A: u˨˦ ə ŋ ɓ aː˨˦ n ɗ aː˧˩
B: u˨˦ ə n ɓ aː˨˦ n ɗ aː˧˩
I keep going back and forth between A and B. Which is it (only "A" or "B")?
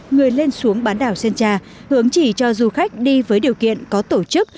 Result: A